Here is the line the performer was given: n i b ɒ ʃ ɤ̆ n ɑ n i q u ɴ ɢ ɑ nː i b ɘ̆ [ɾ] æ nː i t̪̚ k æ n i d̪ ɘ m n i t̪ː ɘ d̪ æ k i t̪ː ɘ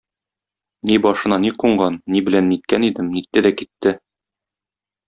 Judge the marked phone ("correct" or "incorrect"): incorrect